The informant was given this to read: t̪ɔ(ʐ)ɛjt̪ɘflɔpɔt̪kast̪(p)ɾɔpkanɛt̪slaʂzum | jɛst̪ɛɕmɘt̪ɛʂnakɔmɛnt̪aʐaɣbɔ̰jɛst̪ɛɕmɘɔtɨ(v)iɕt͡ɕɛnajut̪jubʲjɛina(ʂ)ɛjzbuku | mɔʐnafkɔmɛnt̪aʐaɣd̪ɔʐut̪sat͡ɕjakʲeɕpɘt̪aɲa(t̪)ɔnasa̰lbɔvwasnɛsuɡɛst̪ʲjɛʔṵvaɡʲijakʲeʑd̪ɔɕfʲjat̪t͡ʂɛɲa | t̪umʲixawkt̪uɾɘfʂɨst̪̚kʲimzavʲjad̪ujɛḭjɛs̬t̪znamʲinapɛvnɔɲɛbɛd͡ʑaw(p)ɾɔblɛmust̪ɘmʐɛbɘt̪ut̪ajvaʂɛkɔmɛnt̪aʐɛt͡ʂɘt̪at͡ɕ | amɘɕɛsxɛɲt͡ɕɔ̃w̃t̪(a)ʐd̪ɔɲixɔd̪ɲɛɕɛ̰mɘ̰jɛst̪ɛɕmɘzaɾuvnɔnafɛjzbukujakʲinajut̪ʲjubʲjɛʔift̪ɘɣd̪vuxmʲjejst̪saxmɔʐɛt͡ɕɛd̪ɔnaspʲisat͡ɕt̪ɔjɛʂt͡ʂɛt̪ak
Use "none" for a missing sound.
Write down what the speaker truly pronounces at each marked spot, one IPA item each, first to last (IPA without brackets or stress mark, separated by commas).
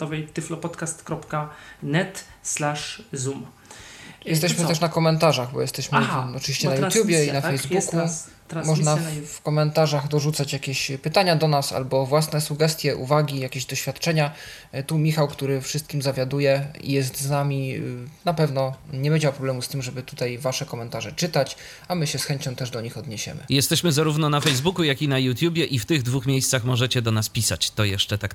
v, k, v, f, d̪, p, ɛ